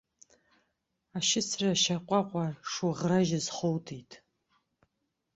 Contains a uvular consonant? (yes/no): yes